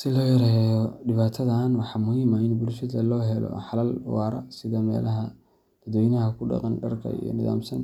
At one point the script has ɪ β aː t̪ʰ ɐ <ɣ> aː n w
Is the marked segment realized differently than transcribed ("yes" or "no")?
yes